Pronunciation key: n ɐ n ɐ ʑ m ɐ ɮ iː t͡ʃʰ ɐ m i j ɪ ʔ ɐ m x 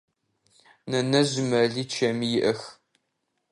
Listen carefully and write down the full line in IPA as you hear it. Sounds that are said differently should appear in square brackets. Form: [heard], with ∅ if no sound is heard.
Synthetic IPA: n ɐ n ɐ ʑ m ɐ ɮ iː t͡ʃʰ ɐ m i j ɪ ʔ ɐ [∅] x

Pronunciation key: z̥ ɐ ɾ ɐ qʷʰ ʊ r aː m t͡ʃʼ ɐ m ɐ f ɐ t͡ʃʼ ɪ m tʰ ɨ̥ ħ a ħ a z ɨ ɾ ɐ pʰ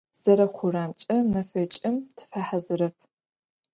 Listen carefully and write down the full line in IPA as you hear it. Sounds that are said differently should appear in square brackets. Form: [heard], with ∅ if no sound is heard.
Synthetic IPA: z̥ ɐ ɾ ɐ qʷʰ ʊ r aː m t͡ʃʼ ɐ m ɐ f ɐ t͡ʃʼ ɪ m tʰ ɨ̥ [f] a ħ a z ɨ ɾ ɐ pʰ

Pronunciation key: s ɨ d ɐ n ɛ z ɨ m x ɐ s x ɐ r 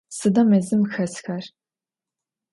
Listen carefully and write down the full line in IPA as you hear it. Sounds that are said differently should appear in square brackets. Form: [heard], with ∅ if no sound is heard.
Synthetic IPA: s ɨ d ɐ [m] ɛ z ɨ m x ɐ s x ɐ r

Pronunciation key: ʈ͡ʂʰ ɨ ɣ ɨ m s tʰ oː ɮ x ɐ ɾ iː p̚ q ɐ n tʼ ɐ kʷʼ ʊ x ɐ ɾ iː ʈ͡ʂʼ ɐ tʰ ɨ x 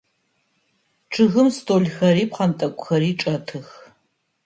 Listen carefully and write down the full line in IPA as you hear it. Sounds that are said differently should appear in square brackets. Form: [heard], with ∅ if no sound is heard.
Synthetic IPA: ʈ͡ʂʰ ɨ ɣ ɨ m s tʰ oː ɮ x ɐ ɾ iː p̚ q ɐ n tʼ ɐ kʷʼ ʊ x ɐ ɾ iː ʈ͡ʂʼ ɐ tʰ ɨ x

